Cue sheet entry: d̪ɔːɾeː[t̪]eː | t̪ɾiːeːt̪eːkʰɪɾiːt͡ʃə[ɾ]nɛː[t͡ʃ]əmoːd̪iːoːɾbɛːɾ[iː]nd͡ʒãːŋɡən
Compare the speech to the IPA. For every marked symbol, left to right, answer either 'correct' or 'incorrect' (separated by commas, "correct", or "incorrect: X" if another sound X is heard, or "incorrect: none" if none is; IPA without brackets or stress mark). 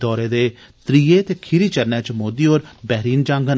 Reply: incorrect: d̪, correct, correct, correct